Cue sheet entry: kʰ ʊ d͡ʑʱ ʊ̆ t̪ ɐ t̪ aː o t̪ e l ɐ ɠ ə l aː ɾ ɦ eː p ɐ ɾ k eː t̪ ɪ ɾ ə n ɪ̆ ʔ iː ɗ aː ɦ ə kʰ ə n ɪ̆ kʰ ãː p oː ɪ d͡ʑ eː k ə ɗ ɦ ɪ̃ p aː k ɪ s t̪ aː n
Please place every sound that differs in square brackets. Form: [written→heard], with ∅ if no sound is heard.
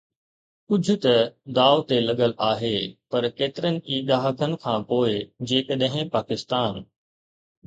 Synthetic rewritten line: [kʰ→k] ʊ d͡ʑʱ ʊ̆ t̪ ɐ [t̪→d̪] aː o t̪ e l ɐ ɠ ə l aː [ɾ→∅] ɦ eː p ɐ ɾ k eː t̪ ɪ ɾ ə n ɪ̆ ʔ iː ɗ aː ɦ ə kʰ ə n ɪ̆ kʰ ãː p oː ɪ d͡ʑ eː k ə ɗ ɦ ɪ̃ p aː k ɪ s t̪ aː n